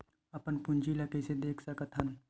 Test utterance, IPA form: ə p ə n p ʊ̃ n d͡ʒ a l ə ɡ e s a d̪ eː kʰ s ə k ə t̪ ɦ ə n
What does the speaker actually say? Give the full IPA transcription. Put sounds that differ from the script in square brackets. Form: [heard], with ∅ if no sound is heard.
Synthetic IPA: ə p ə n p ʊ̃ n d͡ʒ [i] l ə [k] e s [e] d̪ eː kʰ s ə k ə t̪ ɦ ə n